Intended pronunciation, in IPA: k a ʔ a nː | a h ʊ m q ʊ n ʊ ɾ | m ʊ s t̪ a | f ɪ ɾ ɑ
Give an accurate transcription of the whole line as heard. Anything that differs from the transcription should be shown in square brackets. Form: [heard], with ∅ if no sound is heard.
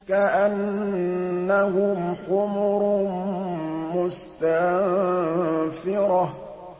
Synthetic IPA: k a ʔ a nː | a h ʊ m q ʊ [m] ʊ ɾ | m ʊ s t̪ a | f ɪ ɾ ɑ